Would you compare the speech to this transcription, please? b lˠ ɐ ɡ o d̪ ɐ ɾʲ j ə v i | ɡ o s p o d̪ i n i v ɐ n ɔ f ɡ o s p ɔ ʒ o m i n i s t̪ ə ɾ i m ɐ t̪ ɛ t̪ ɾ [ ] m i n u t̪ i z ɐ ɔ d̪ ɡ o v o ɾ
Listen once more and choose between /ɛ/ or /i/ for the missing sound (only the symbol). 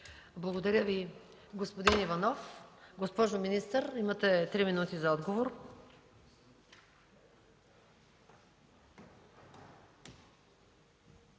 i